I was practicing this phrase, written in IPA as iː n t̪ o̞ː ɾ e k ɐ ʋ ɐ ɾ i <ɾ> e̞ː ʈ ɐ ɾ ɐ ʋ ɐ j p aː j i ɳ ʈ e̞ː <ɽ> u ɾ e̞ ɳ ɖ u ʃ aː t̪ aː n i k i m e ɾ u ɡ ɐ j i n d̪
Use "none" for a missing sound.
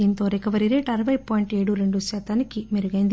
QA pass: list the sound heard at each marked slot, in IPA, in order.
ɾ, ɽ

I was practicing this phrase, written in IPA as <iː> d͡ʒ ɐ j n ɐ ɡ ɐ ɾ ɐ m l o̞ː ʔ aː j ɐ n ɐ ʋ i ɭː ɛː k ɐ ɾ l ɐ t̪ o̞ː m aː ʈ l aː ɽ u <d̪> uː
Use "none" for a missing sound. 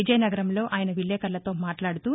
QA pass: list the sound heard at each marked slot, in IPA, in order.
i, t̪

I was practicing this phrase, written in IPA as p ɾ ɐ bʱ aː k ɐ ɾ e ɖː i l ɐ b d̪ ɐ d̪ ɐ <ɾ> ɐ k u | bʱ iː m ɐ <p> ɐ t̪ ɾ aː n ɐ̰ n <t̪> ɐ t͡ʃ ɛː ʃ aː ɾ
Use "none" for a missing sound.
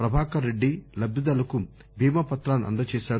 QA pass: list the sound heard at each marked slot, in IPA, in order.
l, p, d̪

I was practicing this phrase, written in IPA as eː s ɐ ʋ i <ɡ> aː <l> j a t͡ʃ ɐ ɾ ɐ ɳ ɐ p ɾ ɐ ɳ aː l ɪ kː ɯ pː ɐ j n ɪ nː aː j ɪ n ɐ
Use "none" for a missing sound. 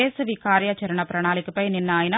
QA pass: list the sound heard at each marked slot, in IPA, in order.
k, ɾ

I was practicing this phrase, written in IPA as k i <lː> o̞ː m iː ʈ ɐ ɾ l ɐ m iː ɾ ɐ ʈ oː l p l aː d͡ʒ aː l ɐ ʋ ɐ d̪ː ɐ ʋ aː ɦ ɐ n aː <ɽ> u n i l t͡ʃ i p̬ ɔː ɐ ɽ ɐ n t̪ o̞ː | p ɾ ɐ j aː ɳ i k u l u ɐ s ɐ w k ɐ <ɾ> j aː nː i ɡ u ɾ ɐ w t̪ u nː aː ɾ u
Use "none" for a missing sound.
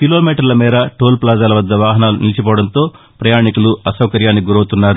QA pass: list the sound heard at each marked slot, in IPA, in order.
l, l, ɾ

